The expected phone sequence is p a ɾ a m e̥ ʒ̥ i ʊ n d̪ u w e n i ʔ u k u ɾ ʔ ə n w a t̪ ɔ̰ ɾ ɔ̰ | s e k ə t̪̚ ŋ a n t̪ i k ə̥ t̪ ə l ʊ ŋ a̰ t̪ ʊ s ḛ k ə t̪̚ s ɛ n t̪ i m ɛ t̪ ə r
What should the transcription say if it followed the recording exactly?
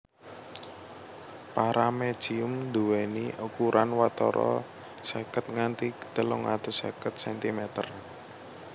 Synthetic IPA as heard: p a ɾ a m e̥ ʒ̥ i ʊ m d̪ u w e n i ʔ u k u ɾ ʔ a n w a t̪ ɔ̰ ɾ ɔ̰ | s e k ə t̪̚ ŋ a n t̪ i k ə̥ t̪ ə l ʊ ŋ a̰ t̪ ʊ s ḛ k ə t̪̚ s ɛ n t̪ i m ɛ t̪ ə r